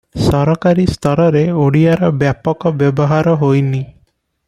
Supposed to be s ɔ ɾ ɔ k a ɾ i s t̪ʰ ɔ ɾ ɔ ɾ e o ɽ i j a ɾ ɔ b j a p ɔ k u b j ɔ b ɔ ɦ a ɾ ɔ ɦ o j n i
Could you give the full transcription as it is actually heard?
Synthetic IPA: s ɔ ɾ ɔ k a ɾ i s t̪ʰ ɔ ɾ ɔ ɾ e o ɽ i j a ɾ ɔ b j a p ɔ k ɔ b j ɔ b ɔ ɦ a ɾ ɔ ɦ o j n i